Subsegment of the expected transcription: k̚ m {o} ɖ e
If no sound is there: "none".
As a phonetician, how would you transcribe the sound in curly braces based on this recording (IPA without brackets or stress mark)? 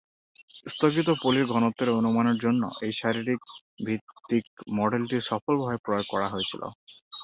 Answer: ɔ